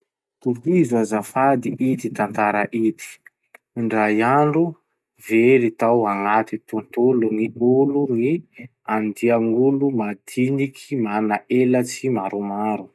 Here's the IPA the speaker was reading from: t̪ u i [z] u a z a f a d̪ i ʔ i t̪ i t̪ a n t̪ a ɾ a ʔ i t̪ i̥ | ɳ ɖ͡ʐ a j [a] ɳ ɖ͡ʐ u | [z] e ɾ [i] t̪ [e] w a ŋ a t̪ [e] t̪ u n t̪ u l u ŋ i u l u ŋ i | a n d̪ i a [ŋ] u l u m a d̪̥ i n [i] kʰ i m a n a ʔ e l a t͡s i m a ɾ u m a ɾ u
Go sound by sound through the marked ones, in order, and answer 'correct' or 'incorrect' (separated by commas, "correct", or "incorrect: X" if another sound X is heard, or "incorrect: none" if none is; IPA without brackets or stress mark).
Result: correct, correct, incorrect: v, correct, incorrect: a, incorrect: i, correct, correct